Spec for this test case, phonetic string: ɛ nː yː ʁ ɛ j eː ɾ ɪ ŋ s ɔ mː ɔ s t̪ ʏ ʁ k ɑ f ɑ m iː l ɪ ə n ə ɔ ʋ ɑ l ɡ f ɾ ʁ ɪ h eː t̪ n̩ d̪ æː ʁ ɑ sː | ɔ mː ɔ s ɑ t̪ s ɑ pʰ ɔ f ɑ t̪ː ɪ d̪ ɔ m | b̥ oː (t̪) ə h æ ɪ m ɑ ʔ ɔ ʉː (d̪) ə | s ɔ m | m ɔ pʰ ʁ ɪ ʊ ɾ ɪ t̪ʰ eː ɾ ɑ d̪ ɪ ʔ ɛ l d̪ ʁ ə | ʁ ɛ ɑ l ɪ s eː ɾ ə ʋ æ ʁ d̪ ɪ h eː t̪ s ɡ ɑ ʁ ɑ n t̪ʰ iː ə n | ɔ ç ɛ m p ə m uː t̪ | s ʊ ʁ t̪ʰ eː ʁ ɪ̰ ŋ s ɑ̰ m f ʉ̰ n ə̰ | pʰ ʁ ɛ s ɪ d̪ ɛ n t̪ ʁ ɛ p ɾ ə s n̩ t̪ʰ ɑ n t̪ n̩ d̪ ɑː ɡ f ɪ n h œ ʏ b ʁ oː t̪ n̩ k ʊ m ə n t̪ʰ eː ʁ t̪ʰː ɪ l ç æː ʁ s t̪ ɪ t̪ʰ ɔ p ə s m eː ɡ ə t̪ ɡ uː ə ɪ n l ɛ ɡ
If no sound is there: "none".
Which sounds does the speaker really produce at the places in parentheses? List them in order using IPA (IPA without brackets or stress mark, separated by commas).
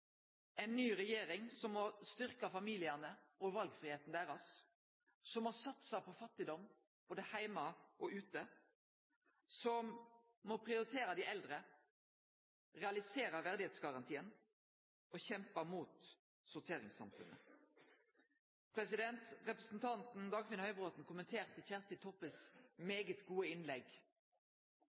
d̪, t̪